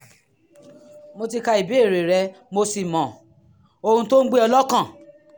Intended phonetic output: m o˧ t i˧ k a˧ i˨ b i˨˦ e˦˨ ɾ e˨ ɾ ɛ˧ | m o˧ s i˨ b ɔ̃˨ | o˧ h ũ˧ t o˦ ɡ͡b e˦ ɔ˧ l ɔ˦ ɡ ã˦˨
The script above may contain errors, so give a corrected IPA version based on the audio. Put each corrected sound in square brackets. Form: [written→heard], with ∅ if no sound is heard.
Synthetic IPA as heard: m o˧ t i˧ k a˧ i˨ b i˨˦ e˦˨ ɾ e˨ ɾ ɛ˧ | m o˧ s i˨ [b→m] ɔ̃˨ | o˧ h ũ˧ t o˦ ɡ͡b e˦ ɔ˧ l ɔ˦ [ɡ→k] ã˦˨